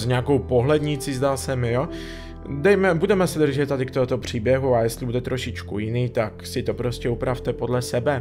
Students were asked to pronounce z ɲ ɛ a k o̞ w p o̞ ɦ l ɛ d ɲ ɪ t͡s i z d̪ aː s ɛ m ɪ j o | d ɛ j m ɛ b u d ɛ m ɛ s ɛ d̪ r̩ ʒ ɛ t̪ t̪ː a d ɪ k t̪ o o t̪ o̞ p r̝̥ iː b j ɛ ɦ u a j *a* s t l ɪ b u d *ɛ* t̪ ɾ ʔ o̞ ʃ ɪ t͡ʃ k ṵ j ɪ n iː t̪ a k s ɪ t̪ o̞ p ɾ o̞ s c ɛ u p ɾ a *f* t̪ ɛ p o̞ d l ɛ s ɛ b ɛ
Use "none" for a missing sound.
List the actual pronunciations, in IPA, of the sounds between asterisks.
ɛ, ɛ, f

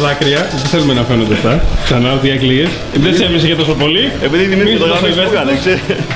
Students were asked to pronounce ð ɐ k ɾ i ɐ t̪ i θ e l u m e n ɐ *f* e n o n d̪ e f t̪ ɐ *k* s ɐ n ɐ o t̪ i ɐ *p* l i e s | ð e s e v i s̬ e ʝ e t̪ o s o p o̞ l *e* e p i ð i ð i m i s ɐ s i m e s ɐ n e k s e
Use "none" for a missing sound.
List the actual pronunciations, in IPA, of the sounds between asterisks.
f, k, k, i

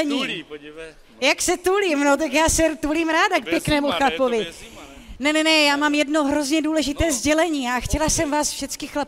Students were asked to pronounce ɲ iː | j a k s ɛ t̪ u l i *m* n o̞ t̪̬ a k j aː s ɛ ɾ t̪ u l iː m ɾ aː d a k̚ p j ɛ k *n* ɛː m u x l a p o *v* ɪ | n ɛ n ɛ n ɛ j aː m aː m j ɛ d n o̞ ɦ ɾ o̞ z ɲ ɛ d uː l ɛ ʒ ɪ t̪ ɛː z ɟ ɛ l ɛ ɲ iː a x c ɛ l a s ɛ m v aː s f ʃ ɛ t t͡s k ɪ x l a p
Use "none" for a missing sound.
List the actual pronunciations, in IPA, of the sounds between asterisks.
m, n, v

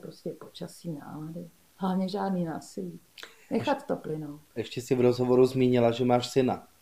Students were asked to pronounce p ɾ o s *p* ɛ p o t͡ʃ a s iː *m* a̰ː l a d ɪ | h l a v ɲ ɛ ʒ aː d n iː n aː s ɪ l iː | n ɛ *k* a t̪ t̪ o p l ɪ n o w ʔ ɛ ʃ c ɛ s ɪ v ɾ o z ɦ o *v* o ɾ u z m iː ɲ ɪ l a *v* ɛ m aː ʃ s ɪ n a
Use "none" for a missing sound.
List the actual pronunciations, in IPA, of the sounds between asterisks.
c, n, x, v, ʒ

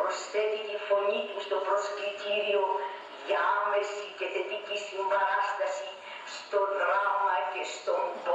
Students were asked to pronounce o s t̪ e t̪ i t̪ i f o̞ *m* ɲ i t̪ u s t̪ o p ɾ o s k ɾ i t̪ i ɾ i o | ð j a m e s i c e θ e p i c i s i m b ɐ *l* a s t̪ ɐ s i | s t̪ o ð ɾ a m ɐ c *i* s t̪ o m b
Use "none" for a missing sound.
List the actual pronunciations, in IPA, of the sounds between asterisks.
none, ɾ, e

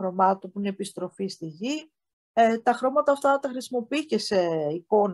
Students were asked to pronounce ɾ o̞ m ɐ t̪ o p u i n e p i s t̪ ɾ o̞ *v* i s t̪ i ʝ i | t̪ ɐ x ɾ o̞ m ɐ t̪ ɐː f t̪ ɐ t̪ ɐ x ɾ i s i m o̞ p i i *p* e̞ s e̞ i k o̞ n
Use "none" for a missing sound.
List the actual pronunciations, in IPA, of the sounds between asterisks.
f, c

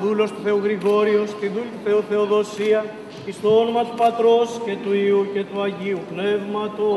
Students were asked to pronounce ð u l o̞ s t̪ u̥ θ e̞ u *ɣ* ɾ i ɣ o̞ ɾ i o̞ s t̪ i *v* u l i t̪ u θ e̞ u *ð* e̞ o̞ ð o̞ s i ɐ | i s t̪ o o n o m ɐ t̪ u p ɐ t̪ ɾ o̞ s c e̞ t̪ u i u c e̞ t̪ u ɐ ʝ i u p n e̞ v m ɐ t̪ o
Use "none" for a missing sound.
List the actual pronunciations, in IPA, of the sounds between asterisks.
ɣ, ð, θ

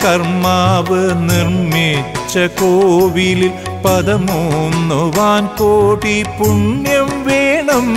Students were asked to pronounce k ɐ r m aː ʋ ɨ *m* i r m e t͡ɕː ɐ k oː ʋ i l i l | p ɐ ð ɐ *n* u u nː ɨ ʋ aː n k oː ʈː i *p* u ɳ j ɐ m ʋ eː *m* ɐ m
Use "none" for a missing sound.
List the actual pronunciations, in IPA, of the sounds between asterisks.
n, m, p, ɳ

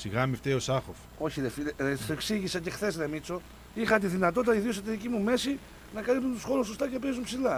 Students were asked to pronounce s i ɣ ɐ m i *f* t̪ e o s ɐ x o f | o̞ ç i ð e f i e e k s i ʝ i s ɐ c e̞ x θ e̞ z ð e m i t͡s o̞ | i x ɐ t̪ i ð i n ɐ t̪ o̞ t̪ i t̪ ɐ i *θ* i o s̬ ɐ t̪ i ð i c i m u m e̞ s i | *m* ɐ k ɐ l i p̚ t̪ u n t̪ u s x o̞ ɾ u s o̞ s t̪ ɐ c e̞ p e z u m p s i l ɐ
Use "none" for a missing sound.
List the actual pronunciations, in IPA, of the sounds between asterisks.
f, ð, n

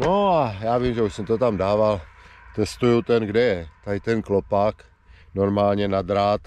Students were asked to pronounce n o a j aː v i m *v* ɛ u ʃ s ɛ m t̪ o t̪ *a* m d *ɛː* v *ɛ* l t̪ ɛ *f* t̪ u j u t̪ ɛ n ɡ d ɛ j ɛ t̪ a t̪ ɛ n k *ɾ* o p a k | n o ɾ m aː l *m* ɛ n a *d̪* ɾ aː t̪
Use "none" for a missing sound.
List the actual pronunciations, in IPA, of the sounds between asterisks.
ʒ, a, aː, a, s, l, ɲ, d̪

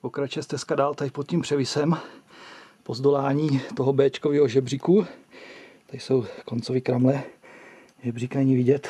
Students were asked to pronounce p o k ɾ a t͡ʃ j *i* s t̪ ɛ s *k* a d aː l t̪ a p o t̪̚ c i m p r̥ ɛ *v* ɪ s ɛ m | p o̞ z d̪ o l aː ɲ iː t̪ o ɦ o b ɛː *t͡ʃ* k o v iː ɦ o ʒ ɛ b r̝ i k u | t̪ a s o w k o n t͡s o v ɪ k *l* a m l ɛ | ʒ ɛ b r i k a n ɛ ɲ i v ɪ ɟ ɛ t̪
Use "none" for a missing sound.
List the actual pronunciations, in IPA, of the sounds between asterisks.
ɛ, k, v, t͡ʃ, ɾ

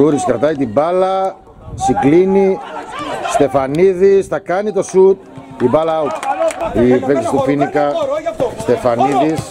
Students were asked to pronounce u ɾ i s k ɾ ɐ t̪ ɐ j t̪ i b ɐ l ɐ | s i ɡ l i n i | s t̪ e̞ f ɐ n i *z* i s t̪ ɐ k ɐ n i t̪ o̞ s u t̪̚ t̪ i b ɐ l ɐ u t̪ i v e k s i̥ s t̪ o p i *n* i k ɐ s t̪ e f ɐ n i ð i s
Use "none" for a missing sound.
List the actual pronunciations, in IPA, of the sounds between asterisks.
ð, n

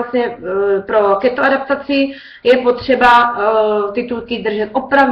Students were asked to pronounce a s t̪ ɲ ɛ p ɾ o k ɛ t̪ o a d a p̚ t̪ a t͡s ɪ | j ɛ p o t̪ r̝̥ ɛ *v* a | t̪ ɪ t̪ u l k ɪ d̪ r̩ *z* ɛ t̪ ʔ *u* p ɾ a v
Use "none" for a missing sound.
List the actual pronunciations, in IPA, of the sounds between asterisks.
b, ʒ, o

